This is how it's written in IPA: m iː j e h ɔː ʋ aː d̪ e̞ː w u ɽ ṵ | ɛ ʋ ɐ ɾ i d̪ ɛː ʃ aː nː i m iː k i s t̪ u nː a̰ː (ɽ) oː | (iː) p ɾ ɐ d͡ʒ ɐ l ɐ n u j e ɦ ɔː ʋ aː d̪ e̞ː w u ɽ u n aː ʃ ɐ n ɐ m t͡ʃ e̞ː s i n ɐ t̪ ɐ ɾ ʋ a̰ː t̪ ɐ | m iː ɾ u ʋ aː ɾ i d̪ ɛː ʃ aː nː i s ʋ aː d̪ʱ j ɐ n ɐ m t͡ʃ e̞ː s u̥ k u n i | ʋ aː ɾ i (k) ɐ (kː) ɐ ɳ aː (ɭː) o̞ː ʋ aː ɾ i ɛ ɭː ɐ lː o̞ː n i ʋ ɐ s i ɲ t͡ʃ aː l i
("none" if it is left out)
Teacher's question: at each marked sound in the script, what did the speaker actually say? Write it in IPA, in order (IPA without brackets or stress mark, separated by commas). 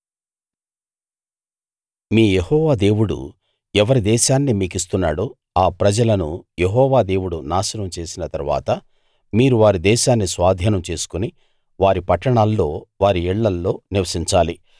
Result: ɽ, aː, p, ʈː, lː